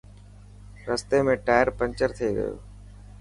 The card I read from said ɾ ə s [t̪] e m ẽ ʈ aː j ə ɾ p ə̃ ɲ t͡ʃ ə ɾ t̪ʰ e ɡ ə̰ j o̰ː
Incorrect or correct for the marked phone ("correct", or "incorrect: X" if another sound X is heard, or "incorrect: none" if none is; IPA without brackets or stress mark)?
correct